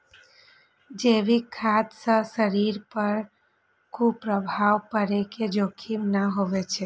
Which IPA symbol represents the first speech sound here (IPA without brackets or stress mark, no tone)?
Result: d͡ʒ